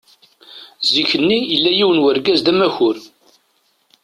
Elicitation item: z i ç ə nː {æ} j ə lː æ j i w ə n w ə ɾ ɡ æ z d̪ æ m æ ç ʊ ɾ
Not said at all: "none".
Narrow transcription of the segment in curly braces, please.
i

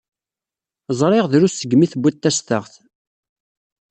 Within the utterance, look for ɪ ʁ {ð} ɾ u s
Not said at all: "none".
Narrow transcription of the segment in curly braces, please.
ð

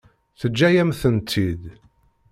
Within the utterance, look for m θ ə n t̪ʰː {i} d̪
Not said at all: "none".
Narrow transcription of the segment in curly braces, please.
i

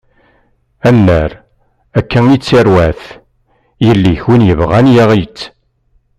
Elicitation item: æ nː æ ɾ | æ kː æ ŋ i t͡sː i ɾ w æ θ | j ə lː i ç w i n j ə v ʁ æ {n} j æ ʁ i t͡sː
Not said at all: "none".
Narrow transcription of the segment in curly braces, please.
n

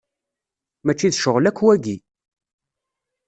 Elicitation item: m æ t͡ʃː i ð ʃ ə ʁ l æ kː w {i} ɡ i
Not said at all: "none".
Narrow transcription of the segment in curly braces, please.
æ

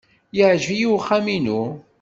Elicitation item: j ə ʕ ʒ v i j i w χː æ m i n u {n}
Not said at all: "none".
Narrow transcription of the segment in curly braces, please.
none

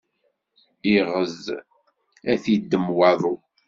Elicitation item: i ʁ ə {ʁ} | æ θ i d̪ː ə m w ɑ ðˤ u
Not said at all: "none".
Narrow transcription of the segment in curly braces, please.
z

